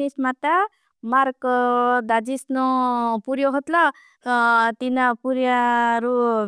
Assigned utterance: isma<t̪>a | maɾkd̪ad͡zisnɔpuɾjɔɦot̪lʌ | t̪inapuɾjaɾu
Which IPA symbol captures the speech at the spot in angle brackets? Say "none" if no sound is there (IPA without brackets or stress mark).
t̪